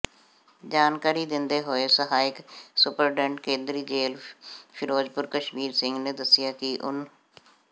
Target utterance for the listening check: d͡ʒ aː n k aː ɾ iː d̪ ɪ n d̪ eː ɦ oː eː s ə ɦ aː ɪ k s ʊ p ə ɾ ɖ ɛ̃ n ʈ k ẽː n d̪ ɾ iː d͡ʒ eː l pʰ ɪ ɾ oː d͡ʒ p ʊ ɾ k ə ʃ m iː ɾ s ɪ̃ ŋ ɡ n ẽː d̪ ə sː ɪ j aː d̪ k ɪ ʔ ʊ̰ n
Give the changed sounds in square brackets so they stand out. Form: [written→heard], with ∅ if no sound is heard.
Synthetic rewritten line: d͡ʒ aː n k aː ɾ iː d̪ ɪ n d̪ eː ɦ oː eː s ə ɦ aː ɪ k s ʊ p ə ɾ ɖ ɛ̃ [n→ɳ] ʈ k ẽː n d̪ ɾ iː d͡ʒ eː l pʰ ɪ ɾ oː d͡ʒ p ʊ ɾ k ə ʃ m iː ɾ s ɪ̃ ŋ ɡ n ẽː d̪ ə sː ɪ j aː [d̪→∅] k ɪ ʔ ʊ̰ n

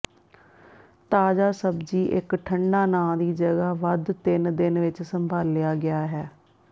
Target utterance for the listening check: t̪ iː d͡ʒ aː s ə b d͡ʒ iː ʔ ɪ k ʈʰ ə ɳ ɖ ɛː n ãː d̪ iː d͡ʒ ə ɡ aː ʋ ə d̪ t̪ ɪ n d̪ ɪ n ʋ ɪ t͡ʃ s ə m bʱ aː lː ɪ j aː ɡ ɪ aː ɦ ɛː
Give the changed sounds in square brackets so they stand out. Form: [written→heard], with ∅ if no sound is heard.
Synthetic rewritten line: t̪ [iː→aː] d͡ʒ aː s ə b d͡ʒ iː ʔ ɪ k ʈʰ ə ɳ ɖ [ɛː→aː] n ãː d̪ iː d͡ʒ ə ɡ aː ʋ ə d̪ t̪ ɪ n d̪ ɪ n ʋ ɪ t͡ʃ s ə m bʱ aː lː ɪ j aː ɡ ɪ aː ɦ ɛː

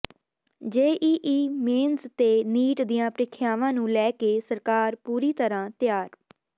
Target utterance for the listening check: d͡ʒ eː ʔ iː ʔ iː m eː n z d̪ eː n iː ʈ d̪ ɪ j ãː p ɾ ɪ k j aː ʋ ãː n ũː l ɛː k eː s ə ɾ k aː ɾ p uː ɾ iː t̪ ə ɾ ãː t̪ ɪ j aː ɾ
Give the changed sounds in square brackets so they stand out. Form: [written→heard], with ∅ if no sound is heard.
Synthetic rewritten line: d͡ʒ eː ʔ iː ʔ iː m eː n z [d̪→t̪] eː n iː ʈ d̪ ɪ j ãː p ɾ ɪ [k→kʰ] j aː ʋ ãː n ũː l ɛː k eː s ə ɾ k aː ɾ p uː ɾ iː t̪ ə ɾ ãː t̪ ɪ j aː ɾ

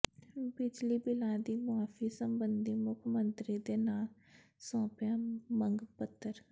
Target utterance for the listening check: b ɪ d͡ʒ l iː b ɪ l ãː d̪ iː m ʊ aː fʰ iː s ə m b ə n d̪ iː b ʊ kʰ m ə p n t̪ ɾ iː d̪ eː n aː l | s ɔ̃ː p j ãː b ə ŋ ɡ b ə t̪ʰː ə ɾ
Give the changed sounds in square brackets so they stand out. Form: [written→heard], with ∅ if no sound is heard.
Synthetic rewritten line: b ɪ d͡ʒ l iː b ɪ l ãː d̪ iː m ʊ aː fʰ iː s ə m b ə n d̪ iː [b→m] ʊ kʰ m ə [p→∅] n t̪ ɾ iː d̪ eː n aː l | s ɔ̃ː p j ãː [b→m] ə ŋ ɡ [b→p] ə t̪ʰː ə ɾ

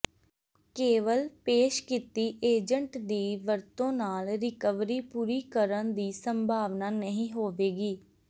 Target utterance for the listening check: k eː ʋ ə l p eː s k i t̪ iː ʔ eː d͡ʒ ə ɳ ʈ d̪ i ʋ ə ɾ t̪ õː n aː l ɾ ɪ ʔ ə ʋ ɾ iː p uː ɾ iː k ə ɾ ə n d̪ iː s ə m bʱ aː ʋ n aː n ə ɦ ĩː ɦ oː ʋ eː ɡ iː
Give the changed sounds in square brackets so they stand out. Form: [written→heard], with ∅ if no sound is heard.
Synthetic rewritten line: k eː ʋ ə l p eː [s→ʃ] k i t̪ iː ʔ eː d͡ʒ ə ɳ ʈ d̪ [i→iː] ʋ ə ɾ t̪ õː n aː l ɾ ɪ [ʔ→k] ə ʋ ɾ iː p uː ɾ iː k ə ɾ ə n d̪ iː s ə m bʱ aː ʋ n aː n ə ɦ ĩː ɦ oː ʋ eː ɡ iː

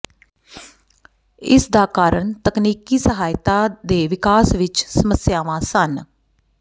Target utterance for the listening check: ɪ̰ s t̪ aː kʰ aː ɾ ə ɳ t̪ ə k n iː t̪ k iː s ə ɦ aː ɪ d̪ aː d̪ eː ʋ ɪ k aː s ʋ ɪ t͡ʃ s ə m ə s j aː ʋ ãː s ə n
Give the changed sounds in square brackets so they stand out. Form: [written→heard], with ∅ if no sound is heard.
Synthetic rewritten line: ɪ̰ s [t̪→d̪] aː [kʰ→k] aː ɾ ə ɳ t̪ ə k n iː [t̪→∅] k iː s ə ɦ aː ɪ [d̪→t̪] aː d̪ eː ʋ ɪ k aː s ʋ ɪ t͡ʃ s ə m ə s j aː ʋ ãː s ə n

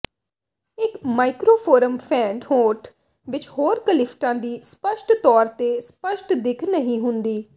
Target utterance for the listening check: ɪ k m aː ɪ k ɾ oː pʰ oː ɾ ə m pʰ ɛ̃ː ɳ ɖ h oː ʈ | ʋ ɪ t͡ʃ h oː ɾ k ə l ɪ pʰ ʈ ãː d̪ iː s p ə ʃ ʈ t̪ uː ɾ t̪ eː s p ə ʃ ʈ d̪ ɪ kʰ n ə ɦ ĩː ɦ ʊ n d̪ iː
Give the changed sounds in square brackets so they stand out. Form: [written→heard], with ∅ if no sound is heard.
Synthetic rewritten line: ɪ k m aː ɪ k ɾ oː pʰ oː ɾ ə m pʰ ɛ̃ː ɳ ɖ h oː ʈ | ʋ ɪ t͡ʃ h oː ɾ k ə l ɪ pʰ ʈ ãː d̪ iː s p ə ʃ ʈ t̪ [uː→ɔː] ɾ t̪ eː s p ə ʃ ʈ d̪ ɪ kʰ n ə ɦ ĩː ɦ ʊ n d̪ iː

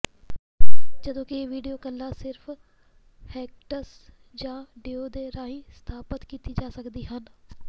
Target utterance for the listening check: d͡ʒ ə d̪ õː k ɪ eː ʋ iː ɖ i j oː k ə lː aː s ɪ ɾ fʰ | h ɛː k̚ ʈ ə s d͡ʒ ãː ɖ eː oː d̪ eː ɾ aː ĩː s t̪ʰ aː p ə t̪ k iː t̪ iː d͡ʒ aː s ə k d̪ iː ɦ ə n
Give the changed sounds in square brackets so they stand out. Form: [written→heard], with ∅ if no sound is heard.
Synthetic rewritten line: d͡ʒ ə d̪ õː k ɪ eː ʋ iː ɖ i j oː k ə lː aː s ɪ ɾ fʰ | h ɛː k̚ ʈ ə s d͡ʒ ãː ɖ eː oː d̪ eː ɾ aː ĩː s t̪ʰ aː p ə t̪ k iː t̪ iː d͡ʒ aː s ə k d̪ iː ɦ ə n

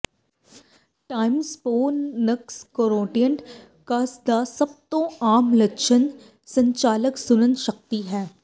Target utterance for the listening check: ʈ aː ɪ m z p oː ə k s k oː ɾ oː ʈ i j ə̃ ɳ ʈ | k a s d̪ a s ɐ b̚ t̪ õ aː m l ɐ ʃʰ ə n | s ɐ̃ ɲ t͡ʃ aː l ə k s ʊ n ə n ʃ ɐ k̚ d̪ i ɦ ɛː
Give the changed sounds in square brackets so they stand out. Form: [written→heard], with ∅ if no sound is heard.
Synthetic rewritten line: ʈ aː ɪ m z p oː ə k s k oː ɾ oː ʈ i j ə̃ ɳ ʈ | k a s d̪ a s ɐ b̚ t̪ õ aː m l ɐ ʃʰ ə n | s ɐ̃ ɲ t͡ʃ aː l ə k s ʊ n ə n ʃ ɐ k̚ [d̪→t̪] i ɦ ɛː

